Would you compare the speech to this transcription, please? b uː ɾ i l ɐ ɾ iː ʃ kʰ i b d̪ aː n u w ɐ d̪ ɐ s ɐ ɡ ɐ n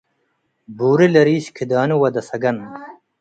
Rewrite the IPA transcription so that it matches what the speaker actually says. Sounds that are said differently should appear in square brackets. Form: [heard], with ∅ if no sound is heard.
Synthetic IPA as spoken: b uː ɾ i l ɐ ɾ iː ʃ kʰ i [∅] d̪ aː n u w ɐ d̪ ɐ s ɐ ɡ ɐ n